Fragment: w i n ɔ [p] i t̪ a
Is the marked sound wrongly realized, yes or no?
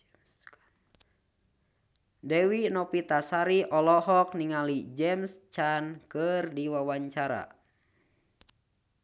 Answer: no